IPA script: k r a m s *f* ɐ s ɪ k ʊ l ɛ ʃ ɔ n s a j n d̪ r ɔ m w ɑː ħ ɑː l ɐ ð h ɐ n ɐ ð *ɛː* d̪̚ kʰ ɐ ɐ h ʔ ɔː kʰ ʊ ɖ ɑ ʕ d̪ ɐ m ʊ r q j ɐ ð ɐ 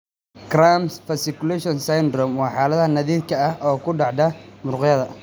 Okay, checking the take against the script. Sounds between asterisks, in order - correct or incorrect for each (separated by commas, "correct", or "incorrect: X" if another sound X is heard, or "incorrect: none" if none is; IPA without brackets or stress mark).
correct, incorrect: iː